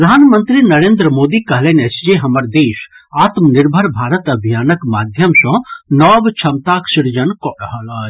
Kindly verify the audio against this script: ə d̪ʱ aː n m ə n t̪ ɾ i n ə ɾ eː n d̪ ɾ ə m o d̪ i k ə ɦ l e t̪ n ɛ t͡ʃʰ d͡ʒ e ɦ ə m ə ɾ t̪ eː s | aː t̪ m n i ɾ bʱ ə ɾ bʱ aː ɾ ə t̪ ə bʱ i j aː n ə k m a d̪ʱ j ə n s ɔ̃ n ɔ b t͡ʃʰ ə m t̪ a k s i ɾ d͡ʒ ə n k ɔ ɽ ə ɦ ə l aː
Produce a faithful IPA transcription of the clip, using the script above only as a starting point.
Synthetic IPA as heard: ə d̪ʱ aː n m ə n t̪ ɾ i n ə ɾ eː n d̪ ɾ ə m o d̪ i k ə ɦ l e n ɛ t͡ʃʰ d͡ʒ e ɦ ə m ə ɾ d̪ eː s | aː t̪ m n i ɾ bʱ ə ɾ bʱ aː ɾ ə t̪ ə bʱ i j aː n ə k m a d̪ʱ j ə m s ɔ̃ n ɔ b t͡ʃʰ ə m t̪ a k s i ɾ d͡ʒ ə n k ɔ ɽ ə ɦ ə l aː